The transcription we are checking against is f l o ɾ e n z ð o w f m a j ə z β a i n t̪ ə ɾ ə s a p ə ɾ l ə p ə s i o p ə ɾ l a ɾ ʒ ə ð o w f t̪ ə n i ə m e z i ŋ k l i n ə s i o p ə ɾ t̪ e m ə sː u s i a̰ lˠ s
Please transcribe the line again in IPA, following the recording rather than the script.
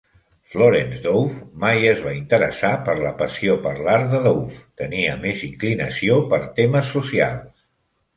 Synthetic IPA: f l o ɾ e n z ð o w f m a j ə z β a i n t̪ ə ɾ ə s a p ə ɾ l ə p ə s i o p ə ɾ l a ɾ ð ə ð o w f t̪ ə n i ə m e z i ŋ k l i n ə s i o p ə ɾ t̪ e m ə sː u s i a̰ lˠ s